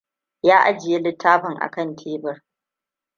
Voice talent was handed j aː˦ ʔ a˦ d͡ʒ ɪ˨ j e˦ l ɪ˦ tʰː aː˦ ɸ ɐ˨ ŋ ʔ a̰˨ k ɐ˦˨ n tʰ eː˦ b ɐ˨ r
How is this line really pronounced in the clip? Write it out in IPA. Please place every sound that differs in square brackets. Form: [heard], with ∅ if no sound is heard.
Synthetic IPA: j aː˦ ʔ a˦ d͡ʒ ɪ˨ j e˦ l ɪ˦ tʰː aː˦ ɸ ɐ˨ ŋ ʔ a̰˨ k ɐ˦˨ n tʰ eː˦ b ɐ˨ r